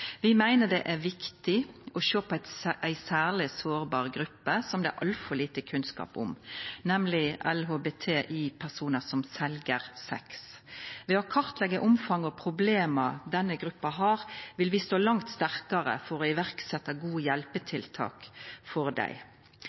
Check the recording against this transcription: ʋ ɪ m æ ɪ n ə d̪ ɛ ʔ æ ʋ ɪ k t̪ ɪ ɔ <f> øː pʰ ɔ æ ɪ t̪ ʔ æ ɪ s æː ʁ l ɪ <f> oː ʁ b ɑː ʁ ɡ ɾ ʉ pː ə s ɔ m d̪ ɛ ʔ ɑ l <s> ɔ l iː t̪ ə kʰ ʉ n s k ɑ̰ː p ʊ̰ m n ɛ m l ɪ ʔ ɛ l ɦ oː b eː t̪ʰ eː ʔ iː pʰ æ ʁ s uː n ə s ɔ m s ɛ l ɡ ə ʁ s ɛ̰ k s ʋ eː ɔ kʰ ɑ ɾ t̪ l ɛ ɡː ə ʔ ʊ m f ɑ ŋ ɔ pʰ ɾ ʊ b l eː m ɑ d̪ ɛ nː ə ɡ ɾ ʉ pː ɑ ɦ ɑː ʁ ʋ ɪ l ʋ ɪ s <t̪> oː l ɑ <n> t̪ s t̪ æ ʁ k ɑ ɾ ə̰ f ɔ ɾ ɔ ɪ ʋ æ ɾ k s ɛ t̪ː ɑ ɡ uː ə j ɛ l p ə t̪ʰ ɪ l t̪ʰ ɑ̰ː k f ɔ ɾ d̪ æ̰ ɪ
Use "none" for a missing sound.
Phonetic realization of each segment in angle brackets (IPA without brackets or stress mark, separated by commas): ʃ, s, f, t̪, ŋ